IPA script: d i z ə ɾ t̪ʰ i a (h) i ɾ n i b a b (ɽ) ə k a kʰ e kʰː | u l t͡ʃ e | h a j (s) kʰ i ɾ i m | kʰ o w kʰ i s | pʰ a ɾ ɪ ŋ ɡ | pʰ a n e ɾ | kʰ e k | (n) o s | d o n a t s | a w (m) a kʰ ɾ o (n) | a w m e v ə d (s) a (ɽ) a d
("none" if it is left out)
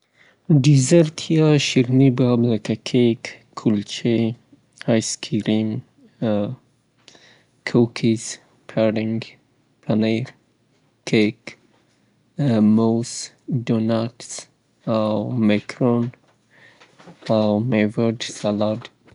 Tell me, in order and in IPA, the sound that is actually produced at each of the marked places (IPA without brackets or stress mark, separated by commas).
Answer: ʃ, l, s, m, m, n, s, l